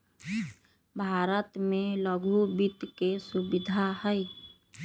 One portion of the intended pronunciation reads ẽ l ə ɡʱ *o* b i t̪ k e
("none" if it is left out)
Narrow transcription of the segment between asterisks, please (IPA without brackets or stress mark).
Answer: u